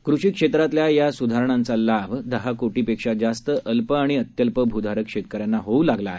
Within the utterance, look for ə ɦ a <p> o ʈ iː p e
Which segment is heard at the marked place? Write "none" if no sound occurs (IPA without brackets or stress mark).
k